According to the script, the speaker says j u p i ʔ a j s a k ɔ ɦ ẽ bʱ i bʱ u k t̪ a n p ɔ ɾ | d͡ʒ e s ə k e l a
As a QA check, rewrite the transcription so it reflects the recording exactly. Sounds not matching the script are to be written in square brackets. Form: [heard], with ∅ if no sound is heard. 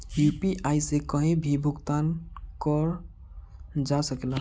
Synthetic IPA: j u p i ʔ a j s [e] k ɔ ɦ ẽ bʱ i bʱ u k t̪ a n [k] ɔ ɾ | d͡ʒ [a] s ə k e l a